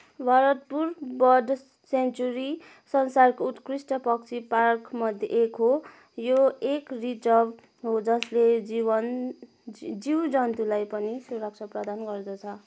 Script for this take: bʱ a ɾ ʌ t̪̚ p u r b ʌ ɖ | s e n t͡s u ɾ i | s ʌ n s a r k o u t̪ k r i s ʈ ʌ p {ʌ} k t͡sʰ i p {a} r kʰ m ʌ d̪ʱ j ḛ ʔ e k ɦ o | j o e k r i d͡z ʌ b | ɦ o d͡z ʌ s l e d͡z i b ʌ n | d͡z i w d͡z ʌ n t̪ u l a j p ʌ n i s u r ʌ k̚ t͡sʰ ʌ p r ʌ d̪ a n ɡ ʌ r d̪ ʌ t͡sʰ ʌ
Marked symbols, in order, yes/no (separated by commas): yes, yes